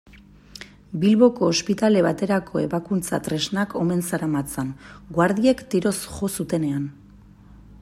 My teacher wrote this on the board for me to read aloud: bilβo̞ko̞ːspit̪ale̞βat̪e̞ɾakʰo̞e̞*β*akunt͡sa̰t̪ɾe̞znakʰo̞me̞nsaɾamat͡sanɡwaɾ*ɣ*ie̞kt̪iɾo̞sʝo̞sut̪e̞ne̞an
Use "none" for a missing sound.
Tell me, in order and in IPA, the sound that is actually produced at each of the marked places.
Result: β, ð

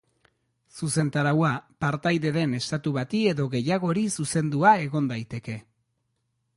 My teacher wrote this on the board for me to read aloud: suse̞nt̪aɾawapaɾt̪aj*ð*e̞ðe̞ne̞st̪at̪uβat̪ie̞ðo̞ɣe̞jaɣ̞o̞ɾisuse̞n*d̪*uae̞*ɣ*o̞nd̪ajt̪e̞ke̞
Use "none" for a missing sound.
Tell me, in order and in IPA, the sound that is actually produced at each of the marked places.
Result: ð, d̪, ɣ

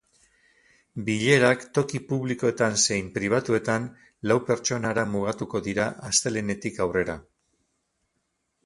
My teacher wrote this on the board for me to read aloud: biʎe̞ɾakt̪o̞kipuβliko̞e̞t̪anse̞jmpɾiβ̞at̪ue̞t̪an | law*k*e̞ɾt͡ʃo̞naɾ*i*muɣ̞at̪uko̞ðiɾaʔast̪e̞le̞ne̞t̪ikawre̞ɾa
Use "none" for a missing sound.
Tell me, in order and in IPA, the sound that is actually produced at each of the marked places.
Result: p, a

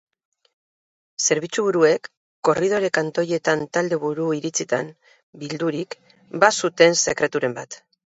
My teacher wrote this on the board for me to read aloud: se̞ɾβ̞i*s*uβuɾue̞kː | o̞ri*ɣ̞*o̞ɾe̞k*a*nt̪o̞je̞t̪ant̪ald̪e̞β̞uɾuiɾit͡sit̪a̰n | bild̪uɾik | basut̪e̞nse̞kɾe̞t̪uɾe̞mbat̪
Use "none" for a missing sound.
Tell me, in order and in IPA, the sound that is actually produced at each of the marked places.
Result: t͡s, ð̞, a

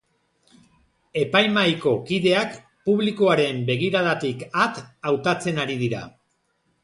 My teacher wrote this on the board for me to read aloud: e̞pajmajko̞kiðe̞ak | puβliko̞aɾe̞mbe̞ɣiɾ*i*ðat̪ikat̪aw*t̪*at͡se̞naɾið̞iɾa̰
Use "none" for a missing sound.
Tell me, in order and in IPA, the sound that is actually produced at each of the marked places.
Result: a, t̪

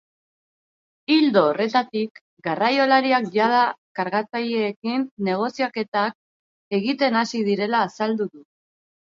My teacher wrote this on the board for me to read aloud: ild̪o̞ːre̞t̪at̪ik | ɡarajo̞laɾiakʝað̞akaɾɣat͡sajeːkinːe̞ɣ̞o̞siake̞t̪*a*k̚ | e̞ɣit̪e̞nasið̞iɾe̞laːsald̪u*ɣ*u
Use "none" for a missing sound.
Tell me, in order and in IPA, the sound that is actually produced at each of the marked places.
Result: a, ð

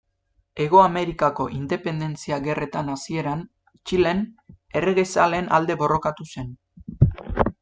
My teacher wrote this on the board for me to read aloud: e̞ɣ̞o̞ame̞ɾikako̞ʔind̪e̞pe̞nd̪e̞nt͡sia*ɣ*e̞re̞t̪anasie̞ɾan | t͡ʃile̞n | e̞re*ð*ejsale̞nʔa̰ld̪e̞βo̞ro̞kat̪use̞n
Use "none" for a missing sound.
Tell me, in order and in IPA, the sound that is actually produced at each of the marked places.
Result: ɣ, ɣ

